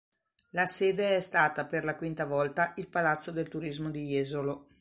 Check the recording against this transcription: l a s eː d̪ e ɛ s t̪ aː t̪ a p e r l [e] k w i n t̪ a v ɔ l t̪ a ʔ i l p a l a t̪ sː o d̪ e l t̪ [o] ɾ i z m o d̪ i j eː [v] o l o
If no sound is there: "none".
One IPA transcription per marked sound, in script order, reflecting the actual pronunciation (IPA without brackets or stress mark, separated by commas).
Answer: a, u, z